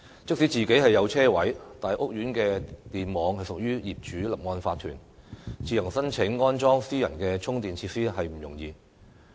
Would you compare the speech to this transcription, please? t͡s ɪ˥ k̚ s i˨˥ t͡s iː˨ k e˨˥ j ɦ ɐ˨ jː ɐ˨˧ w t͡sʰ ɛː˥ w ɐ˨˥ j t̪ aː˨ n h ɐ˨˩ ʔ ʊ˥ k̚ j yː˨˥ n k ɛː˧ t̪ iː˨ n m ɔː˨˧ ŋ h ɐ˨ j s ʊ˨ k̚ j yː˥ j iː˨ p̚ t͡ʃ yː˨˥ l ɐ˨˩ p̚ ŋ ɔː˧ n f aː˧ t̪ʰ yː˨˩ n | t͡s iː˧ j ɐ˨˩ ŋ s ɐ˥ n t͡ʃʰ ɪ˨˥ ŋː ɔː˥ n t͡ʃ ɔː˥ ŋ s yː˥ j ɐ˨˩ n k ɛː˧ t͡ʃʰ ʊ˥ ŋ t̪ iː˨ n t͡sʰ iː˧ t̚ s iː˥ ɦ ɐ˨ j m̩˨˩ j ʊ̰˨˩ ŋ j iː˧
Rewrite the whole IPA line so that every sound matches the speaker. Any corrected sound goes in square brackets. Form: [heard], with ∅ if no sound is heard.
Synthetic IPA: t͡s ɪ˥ k̚ s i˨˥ t͡s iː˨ k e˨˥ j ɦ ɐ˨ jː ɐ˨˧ w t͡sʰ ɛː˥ w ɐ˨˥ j t̪ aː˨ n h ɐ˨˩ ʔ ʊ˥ k̚ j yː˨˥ n k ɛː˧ t̪ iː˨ n m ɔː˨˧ ŋ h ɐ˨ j s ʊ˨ k̚ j yː˥ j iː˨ p̚ t͡ʃ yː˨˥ l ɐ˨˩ p̚ ŋ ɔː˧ n f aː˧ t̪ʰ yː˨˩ n | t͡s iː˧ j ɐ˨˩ ŋ s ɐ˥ n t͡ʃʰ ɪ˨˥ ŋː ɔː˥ n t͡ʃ ɔː˥ ŋ s [iː˥] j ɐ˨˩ n k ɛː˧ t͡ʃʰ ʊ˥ ŋ t̪ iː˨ n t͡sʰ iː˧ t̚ s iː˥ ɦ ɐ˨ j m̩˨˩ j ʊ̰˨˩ ŋ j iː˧

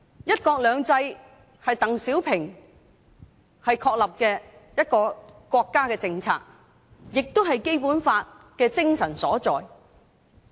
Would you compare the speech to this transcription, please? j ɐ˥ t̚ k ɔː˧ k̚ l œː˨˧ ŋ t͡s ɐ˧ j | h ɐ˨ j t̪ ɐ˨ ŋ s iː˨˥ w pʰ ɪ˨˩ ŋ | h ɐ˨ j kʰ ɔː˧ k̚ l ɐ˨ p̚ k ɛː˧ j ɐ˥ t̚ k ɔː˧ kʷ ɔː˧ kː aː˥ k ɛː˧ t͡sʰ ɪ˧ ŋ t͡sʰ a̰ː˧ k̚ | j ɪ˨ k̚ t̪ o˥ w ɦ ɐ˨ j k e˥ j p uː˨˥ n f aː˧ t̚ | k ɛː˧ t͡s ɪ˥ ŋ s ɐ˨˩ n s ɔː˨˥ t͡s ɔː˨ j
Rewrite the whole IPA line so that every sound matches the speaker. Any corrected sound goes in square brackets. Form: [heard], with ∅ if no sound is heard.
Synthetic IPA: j ɐ˥ t̚ k ɔː˧ k̚ l œː˨˧ ŋ t͡s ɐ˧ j | h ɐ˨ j t̪ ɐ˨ ŋ s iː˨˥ w pʰ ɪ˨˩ ŋ | h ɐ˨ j kʰ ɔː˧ k̚ l ɐ˨ p̚ k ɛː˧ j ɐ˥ t̚ k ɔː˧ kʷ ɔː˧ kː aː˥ k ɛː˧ [t͡s] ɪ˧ ŋ t͡sʰ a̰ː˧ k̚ | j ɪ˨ k̚ t̪ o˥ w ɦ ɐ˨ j k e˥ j p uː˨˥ n f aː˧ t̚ | k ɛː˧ t͡s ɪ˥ ŋ s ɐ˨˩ n s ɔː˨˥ t͡s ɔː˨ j

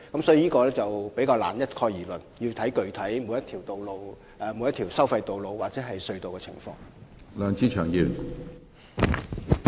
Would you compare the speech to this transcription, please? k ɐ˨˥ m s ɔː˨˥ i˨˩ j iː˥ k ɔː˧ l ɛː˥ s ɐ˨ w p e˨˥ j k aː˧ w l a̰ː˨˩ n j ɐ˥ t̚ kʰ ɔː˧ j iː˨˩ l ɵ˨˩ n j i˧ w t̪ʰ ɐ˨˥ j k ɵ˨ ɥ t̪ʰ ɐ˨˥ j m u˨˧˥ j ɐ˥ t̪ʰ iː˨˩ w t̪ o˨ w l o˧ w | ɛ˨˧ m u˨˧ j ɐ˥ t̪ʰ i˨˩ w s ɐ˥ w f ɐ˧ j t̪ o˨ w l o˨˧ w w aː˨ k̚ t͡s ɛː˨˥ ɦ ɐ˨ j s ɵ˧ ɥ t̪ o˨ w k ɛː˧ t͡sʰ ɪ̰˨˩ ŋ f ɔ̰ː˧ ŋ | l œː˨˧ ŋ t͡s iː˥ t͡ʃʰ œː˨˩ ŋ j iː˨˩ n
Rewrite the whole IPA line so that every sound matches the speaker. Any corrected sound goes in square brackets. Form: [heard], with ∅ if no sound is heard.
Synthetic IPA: k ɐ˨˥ m s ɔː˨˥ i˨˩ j iː˥ k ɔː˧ l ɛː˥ [t͡s] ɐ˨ w p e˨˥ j k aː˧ w l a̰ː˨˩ n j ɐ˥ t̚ kʰ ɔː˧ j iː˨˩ l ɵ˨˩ n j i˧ w t̪ʰ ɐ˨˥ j k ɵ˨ ɥ t̪ʰ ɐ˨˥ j m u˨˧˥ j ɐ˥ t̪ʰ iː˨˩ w t̪ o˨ w l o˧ w | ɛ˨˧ m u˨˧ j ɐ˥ t̪ʰ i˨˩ w s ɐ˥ w f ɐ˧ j t̪ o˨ w l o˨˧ w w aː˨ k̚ t͡s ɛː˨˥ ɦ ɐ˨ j s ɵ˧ ɥ t̪ o˨ w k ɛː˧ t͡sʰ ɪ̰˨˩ ŋ f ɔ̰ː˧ ŋ | l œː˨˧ ŋ t͡s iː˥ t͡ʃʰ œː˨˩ ŋ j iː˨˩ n

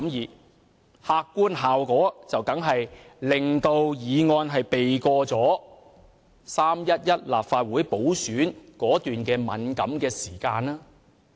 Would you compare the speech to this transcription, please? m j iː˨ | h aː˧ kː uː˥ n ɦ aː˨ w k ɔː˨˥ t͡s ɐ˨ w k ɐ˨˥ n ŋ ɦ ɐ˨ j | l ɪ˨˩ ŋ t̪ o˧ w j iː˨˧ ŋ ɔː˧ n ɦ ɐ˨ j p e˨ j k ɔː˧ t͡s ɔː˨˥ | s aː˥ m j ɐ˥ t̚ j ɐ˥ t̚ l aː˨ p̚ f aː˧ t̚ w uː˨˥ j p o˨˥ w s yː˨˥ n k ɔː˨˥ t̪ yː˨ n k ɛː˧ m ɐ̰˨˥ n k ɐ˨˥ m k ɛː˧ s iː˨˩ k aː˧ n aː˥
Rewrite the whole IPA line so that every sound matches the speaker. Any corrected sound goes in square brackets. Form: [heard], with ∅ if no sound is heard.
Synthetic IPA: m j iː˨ | h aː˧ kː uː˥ n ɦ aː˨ w k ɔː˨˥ t͡s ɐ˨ w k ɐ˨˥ [∅] ŋ ɦ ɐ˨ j | l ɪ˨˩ ŋ t̪ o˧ w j iː˨˧ ŋ ɔː˧ n ɦ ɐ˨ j p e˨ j k ɔː˧ t͡s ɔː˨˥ | s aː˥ m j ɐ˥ t̚ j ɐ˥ t̚ l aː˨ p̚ f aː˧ t̚ w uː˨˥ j p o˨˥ w s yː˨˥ n k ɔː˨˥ t̪ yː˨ n k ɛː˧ m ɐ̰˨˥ n k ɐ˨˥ m k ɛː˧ s iː˨˩ k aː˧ n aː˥

